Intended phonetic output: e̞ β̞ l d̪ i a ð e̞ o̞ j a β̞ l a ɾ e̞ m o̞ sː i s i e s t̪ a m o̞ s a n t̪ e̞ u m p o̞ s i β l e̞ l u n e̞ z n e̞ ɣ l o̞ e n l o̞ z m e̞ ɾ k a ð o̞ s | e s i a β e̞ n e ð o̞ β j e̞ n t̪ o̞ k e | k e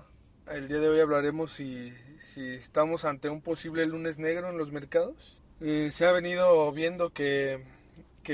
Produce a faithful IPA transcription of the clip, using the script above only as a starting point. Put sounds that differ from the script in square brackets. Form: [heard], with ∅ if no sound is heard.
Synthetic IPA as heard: e̞ [∅] l d̪ i a ð e̞ o̞ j a β̞ l a ɾ e̞ m o̞ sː i s i e s t̪ a m o̞ s a n t̪ e̞ u m p o̞ s i β l e̞ l u n e̞ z n e̞ ɣ [ɾ] o̞ e n l o̞ z m e̞ ɾ k a ð o̞ s | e s [e] a β e̞ n [i] ð o̞ β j e̞ n [d̪] o̞ k e | k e